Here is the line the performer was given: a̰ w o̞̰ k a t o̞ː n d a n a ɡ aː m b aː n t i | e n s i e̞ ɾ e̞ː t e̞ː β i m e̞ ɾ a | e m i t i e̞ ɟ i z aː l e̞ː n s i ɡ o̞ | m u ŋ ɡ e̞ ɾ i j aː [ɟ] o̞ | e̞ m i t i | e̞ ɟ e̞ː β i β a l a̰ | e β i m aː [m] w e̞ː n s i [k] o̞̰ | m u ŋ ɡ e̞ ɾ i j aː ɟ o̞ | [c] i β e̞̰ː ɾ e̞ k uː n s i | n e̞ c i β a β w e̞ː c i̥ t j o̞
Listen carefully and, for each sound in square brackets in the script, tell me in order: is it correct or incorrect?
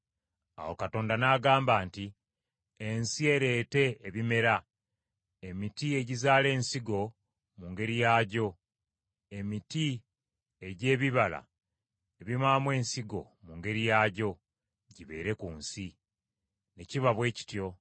correct, correct, incorrect, incorrect

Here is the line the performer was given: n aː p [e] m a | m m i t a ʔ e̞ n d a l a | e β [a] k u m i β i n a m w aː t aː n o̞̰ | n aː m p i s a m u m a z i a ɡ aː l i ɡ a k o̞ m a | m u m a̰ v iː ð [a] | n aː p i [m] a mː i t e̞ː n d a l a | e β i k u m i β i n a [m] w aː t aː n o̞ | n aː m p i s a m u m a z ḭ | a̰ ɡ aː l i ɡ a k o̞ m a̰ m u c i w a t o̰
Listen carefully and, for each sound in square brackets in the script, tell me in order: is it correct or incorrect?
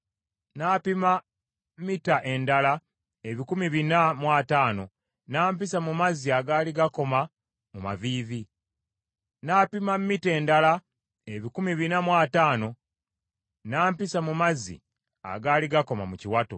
incorrect, incorrect, incorrect, correct, correct

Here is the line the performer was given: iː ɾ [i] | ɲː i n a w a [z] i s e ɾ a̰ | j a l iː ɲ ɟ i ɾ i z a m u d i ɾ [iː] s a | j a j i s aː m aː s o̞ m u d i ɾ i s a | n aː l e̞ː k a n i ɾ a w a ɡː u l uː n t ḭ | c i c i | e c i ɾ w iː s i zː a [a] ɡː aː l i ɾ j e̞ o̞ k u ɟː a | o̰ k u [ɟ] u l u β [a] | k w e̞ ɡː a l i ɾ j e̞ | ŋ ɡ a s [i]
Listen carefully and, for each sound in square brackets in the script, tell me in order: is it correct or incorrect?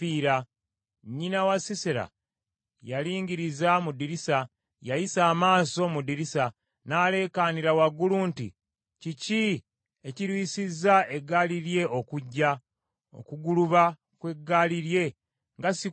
incorrect, incorrect, incorrect, incorrect, incorrect, correct, correct

